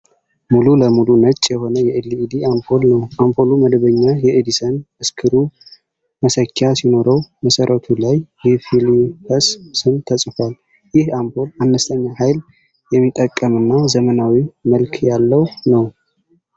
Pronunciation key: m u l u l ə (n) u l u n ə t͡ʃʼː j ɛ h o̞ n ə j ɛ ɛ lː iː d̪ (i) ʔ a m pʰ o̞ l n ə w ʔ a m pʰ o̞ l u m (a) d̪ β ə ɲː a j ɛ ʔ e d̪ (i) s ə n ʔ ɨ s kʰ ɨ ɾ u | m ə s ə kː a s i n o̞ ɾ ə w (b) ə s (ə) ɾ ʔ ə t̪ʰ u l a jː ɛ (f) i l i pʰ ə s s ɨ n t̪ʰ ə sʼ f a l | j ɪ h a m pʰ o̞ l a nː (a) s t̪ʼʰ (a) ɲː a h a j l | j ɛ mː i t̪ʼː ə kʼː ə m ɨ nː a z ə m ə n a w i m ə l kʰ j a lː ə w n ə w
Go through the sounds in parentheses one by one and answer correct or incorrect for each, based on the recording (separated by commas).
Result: incorrect, correct, incorrect, correct, incorrect, correct, correct, incorrect, incorrect